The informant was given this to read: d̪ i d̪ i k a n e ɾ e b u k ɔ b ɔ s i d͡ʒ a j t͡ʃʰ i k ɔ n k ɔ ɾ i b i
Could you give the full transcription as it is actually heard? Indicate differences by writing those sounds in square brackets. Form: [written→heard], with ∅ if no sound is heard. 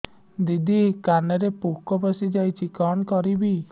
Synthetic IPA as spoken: d̪ i d̪ i k a n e ɾ e [b→p] u k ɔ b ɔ s i d͡ʒ a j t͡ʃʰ i k ɔ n k ɔ ɾ i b i